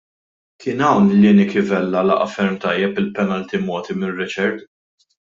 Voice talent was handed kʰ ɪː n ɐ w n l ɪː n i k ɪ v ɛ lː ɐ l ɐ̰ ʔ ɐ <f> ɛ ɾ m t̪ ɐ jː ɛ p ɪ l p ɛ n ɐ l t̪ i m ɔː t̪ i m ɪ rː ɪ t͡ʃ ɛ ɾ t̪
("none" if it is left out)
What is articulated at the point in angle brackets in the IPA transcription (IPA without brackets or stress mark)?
f